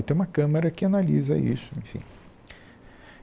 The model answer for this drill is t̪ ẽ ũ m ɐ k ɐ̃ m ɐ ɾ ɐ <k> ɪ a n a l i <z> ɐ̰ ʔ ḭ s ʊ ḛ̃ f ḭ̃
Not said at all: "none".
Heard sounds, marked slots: k, z

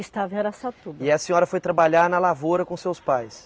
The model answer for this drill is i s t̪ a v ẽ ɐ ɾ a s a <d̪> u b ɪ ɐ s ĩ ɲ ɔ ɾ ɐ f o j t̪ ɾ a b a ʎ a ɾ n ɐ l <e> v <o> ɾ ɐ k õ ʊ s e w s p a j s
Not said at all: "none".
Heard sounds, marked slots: t̪, a, o

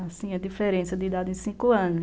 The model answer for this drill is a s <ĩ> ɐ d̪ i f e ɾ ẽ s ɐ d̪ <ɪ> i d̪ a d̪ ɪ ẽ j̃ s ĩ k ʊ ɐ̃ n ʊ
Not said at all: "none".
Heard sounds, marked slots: ĩ, ɪ

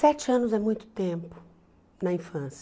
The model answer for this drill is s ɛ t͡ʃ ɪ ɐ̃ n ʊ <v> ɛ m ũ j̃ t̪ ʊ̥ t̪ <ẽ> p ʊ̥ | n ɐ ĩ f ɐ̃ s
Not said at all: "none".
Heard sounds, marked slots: z, ẽ

